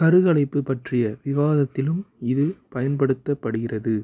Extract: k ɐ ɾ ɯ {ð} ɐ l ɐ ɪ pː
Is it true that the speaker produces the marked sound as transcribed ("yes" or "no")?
no